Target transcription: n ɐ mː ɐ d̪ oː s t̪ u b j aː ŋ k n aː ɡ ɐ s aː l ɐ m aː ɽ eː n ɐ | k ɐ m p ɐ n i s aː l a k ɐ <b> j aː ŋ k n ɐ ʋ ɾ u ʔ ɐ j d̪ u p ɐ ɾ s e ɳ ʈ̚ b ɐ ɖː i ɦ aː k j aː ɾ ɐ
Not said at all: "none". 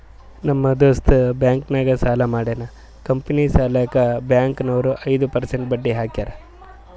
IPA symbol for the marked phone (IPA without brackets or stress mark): b